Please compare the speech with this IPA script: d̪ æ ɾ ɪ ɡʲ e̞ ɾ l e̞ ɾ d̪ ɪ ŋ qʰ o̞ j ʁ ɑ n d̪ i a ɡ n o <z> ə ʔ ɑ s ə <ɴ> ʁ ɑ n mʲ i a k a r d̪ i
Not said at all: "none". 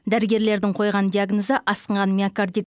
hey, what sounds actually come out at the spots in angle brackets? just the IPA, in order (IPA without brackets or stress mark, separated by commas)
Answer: z, ɴ